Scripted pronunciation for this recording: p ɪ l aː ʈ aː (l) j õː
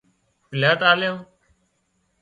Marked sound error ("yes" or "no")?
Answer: no